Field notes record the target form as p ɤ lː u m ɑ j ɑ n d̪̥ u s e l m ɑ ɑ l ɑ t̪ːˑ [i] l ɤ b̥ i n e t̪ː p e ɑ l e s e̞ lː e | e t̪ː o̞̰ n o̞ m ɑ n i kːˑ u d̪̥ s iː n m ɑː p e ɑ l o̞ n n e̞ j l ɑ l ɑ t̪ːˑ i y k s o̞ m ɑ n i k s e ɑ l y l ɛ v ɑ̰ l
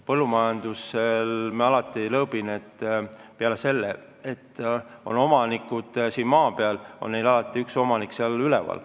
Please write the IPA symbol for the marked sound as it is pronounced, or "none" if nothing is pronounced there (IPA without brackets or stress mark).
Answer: i